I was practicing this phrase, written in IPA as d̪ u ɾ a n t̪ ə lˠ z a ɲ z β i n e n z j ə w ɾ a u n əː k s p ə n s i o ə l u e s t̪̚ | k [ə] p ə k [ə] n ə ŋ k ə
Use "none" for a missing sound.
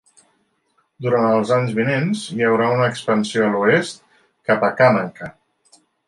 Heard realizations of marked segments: a, a

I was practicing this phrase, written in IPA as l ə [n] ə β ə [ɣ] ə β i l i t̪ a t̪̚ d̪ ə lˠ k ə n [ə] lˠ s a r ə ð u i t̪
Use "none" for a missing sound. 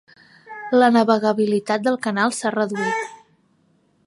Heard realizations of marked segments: n, ɣ, a

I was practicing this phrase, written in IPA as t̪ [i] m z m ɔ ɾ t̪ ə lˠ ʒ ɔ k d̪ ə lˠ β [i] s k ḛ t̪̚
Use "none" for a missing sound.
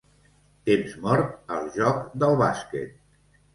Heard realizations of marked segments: e, a

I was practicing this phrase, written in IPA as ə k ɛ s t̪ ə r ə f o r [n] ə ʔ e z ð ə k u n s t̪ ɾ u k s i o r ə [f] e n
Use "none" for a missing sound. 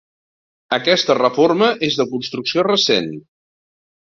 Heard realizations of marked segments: m, s

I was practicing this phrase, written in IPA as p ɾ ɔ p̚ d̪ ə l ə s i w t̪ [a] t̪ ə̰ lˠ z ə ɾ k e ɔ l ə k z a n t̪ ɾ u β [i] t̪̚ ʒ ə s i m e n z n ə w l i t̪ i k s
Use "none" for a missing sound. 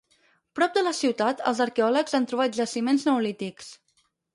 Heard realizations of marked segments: a, a

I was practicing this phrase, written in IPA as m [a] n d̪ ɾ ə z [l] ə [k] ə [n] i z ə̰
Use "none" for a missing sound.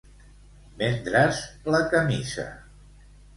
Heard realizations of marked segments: e, l, k, m

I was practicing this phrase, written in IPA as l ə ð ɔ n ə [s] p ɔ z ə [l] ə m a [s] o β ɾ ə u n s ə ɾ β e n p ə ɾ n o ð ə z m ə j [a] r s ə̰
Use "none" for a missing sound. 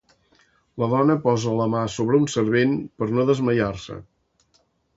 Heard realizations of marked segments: none, l, s, a

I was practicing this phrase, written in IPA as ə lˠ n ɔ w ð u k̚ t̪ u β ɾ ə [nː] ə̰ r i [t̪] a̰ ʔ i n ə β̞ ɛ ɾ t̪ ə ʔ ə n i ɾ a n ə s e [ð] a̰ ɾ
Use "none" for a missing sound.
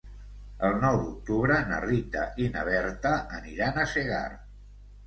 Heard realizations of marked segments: n, t̪, ɣ

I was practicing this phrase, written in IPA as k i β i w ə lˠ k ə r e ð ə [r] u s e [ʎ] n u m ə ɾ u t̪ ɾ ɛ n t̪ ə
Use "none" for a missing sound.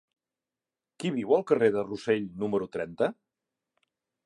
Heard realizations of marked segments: r, ʎ

